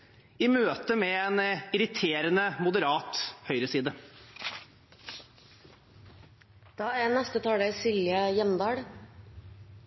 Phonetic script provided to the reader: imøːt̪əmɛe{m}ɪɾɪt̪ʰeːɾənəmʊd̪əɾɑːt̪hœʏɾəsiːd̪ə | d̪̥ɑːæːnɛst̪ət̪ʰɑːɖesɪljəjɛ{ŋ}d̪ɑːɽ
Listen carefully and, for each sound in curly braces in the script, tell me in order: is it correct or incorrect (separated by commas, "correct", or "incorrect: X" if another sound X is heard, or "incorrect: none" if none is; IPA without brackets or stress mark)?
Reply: incorrect: n, incorrect: m